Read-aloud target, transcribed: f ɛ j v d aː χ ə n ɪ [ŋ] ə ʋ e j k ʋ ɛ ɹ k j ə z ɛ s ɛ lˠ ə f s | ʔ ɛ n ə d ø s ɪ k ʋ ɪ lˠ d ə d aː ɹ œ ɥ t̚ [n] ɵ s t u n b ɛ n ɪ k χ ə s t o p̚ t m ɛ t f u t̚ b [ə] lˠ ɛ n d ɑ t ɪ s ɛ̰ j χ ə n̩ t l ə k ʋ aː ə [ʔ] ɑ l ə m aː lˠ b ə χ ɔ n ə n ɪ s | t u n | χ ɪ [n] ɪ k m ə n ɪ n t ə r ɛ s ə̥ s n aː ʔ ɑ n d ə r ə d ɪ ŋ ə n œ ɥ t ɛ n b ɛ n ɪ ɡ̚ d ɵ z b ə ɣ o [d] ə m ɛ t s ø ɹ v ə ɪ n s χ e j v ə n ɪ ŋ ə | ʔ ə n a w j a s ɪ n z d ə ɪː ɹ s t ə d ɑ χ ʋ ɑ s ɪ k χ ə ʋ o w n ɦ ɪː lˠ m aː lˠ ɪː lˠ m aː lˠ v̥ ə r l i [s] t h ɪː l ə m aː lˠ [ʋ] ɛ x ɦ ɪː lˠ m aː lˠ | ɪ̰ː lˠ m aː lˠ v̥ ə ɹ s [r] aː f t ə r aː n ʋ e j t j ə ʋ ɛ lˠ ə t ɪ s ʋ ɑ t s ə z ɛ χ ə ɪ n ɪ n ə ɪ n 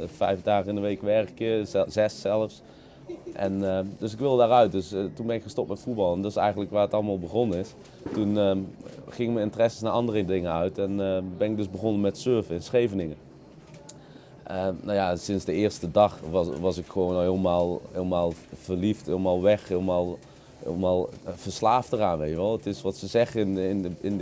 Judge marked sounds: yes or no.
no, no, no, no, no, no, no, yes, no

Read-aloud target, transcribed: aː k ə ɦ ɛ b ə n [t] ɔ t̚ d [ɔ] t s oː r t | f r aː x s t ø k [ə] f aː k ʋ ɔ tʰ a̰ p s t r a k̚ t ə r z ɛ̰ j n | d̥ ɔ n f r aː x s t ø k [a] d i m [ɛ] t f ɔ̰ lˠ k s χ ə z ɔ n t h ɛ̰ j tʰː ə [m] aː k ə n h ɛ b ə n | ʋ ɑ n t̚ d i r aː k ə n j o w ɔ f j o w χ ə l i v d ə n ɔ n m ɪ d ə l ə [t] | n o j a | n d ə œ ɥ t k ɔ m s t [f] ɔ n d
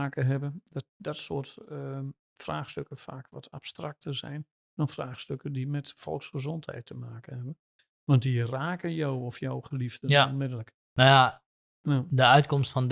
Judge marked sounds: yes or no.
no, yes, yes, no, yes, yes, no, yes

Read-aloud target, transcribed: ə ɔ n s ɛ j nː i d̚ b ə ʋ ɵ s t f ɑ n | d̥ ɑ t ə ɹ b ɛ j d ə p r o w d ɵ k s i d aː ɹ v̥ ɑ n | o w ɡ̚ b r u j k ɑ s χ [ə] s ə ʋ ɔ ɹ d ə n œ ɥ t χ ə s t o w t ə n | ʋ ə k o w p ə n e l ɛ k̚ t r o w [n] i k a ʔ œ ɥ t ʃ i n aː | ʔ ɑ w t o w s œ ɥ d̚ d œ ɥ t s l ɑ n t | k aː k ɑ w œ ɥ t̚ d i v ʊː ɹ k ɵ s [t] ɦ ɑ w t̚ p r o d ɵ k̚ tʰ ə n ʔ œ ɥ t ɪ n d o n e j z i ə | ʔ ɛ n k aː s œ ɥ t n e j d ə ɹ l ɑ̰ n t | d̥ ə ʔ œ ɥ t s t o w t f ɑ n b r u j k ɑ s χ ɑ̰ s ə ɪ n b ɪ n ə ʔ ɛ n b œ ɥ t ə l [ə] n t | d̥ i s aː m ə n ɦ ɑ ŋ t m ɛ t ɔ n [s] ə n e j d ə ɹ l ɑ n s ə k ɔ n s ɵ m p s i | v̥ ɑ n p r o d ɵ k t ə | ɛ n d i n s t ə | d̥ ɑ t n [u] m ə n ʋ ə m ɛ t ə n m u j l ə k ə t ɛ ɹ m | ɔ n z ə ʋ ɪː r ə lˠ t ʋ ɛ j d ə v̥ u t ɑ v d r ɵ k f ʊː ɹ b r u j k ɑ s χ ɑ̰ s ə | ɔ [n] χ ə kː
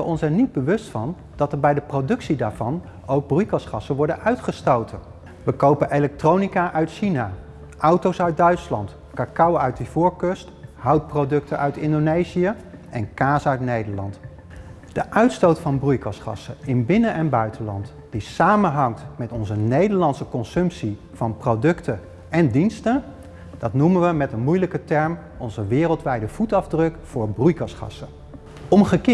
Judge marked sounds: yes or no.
no, yes, yes, no, no, yes, no

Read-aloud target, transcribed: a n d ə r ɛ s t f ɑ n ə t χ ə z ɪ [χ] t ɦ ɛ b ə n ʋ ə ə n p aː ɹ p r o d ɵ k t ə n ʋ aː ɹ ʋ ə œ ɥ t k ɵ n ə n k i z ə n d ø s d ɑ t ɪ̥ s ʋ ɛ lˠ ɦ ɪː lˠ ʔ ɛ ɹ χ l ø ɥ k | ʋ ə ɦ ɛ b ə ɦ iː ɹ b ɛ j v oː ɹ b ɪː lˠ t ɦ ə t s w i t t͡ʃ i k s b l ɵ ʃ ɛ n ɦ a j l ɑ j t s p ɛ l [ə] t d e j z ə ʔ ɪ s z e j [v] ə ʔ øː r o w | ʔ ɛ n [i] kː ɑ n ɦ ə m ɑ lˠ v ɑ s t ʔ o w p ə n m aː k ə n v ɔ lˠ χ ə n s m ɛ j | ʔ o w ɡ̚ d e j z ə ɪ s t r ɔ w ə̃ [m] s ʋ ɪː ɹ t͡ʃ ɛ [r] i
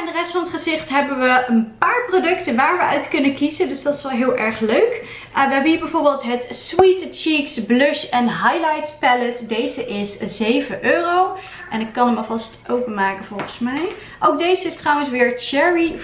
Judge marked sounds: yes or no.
yes, yes, yes, no, no, no

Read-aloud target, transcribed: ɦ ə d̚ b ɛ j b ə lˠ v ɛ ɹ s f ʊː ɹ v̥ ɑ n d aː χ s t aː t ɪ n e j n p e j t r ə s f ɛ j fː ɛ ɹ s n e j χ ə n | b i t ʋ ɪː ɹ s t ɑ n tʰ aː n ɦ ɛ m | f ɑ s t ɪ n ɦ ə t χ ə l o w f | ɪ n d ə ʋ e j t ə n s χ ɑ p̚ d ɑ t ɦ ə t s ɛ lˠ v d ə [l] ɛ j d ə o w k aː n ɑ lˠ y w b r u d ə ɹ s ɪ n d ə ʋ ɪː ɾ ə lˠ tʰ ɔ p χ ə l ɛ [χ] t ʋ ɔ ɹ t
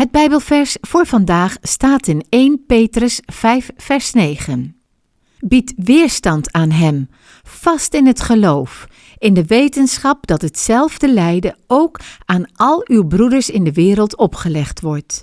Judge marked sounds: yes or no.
yes, yes

